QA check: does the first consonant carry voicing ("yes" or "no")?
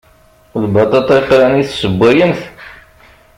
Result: yes